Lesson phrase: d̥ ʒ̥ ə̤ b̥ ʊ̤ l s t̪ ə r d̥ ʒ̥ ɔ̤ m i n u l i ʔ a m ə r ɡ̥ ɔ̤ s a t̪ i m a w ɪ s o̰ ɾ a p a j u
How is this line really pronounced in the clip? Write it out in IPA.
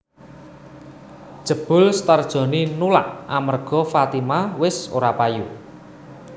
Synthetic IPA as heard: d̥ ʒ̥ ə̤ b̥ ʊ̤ l s t̪ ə r d̥ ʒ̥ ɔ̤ n i n u l a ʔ a m ə r ɡ̥ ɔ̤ f a t̪ i m a w ɪ s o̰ ɾ a p a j u